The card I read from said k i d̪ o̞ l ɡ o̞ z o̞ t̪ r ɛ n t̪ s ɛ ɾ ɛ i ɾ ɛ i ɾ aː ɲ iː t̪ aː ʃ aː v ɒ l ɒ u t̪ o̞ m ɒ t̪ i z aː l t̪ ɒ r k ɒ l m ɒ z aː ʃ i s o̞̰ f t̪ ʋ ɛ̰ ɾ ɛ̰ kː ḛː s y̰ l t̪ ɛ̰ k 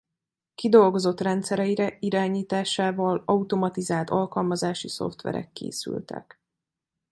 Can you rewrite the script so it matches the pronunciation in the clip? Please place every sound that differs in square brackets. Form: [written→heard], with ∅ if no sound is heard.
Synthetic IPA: k i d̪ o̞ l ɡ o̞ z o̞ t̪ r ɛ n t̪ s ɛ ɾ ɛ i ɾ ɛ i ɾ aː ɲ iː t̪ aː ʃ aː v ɒ l ɒ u t̪ o̞ m ɒ t̪ i z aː l t̪ ɒ [r→l] k ɒ l m ɒ z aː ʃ i s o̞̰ f t̪ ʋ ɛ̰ ɾ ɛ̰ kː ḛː s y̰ l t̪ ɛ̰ k